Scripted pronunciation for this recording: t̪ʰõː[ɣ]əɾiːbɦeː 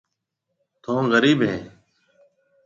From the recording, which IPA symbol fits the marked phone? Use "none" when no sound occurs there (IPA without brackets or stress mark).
ɣ